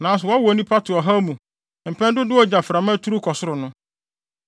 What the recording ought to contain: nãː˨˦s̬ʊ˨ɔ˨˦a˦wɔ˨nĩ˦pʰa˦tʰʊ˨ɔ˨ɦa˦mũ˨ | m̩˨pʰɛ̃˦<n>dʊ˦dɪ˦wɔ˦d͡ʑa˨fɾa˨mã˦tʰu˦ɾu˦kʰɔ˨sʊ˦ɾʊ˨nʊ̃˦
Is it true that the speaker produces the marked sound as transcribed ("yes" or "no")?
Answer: yes